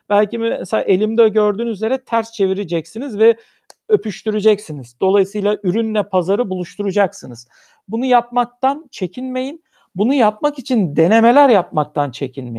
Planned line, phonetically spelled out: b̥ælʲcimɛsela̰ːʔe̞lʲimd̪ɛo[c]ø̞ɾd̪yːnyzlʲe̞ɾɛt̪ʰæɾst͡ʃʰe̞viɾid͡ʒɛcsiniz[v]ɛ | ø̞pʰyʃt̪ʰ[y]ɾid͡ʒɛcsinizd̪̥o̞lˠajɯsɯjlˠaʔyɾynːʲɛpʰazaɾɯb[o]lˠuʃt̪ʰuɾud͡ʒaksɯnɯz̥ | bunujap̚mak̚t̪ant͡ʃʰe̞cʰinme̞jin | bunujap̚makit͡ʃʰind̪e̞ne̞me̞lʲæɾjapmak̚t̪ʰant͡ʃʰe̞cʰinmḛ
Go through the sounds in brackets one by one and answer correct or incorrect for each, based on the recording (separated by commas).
incorrect, correct, correct, incorrect